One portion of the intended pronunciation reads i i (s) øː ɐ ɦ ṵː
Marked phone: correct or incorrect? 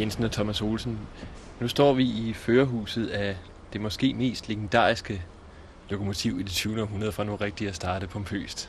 incorrect